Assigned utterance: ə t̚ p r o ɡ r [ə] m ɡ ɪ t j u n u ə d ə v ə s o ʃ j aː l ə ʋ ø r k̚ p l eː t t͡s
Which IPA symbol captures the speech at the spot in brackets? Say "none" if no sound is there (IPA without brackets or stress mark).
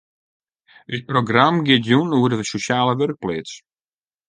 a